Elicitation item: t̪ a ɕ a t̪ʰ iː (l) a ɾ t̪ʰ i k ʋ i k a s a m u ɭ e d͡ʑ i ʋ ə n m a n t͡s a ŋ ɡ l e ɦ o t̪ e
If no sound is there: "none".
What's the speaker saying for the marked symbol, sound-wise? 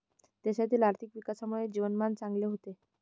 l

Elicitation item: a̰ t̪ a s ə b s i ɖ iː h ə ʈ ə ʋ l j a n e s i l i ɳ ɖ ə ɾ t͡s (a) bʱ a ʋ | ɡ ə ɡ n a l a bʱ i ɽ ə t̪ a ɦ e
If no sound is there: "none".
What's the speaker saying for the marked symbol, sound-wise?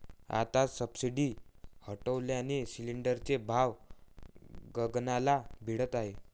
e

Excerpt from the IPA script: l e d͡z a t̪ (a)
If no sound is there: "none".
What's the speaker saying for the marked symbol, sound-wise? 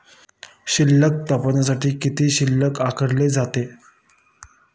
e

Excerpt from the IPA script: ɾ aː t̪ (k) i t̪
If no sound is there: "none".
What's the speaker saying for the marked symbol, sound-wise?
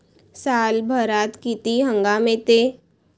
k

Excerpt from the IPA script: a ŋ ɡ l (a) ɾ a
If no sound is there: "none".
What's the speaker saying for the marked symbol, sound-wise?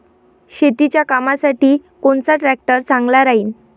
a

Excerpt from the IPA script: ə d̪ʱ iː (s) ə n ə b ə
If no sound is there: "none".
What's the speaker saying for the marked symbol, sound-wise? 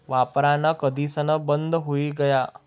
s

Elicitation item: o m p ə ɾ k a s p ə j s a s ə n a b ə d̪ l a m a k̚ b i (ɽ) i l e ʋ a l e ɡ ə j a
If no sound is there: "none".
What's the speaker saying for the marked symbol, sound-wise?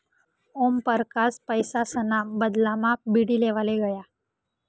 ɽ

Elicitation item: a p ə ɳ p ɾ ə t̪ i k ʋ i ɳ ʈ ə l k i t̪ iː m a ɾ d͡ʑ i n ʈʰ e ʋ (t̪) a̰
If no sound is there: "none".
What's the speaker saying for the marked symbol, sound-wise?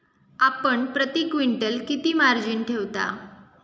t̪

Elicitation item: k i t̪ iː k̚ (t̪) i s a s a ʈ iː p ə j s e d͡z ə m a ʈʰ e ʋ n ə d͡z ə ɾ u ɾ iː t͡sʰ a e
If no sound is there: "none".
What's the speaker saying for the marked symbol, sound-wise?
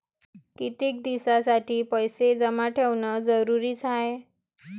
d̪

